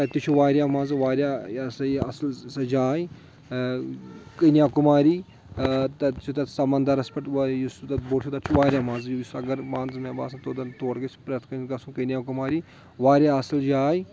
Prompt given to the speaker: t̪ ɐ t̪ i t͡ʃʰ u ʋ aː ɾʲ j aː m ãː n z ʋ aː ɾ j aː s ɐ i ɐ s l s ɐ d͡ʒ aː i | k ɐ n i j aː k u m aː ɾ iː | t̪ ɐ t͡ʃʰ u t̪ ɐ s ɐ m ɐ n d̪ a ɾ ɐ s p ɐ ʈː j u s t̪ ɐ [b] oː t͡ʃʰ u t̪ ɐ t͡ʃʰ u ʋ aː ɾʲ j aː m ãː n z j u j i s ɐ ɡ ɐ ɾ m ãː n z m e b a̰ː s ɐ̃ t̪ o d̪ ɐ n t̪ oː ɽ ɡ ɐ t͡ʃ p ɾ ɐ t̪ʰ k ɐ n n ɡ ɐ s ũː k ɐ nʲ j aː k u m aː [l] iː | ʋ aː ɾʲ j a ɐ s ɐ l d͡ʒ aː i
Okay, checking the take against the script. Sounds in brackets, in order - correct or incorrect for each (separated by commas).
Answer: correct, incorrect